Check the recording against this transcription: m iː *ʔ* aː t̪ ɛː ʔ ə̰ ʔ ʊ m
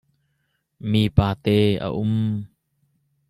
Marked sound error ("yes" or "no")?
yes